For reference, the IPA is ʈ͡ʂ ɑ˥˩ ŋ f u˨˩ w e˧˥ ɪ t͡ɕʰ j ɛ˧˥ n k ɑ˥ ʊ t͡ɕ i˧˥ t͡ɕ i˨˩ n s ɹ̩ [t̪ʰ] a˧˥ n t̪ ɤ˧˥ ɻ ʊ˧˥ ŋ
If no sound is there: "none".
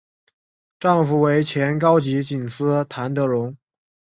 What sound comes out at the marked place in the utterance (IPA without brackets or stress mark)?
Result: t̪ʰ